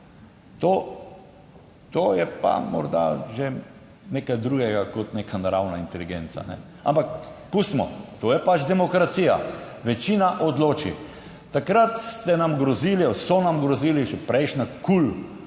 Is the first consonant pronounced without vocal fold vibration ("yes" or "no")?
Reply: yes